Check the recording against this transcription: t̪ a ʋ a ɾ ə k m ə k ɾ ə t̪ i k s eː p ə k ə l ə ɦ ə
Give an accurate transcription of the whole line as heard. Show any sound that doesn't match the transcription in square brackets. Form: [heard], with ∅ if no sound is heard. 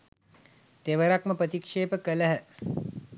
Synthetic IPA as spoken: t̪ [e] ʋ [ə] ɾ [a] k m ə [p] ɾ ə t̪ i k [ʂ] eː p ə k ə l ə ɦ ə